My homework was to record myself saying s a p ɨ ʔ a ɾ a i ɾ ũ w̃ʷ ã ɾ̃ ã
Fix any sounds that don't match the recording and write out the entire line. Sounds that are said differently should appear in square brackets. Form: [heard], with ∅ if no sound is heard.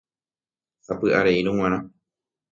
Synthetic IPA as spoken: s a p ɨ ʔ a ɾ [e] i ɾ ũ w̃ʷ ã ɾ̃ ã

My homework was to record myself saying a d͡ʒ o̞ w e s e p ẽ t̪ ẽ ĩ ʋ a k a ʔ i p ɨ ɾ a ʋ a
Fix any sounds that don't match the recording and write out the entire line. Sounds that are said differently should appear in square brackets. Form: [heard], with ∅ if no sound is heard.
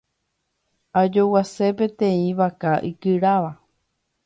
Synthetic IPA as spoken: a d͡ʒ o̞ w [a] s e p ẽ t̪ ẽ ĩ ʋ a k a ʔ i [k] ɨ ɾ a ʋ a

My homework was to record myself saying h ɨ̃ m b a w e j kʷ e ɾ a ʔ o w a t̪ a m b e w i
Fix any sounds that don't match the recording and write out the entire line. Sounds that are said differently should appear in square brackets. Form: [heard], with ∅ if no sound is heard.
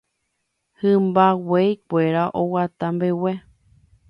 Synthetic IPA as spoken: h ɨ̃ m b a w e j kʷ e ɾ a ʔ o w a t̪ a m b e w [e]

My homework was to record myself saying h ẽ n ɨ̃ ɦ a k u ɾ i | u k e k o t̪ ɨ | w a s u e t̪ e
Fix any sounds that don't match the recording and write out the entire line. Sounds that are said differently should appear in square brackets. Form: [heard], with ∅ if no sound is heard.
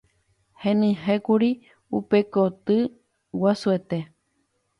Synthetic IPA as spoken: h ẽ n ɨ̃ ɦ [e] k u ɾ i | u [p] e k o t̪ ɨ | w a s u e t̪ e

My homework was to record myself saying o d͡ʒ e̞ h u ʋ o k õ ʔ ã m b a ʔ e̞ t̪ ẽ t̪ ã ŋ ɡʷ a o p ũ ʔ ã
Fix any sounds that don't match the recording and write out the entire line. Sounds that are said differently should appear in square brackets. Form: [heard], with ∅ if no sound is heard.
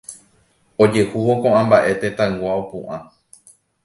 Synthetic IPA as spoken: o d͡ʒ e̞ h u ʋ o k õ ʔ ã m b a ʔ e̞ t̪ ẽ t̪ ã ŋ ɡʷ a o p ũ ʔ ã

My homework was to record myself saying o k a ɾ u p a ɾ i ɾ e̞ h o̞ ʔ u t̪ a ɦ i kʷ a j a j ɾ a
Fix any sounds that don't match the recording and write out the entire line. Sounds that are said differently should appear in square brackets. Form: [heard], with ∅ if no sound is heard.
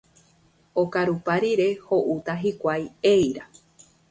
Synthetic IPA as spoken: o k a ɾ u p a ɾ i ɾ e̞ h o̞ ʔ u t̪ a ɦ i kʷ a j [e] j ɾ a

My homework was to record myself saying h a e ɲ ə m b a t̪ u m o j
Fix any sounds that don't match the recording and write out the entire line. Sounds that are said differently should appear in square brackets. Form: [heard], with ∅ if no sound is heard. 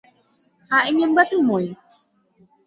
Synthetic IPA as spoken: h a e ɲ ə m b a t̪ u m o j

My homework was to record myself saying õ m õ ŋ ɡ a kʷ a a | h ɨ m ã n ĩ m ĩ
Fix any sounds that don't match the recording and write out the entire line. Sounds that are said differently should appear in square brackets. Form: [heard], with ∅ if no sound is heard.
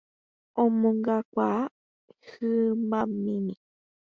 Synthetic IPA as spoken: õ m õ ŋ ɡ a kʷ a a | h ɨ m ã [m] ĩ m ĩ

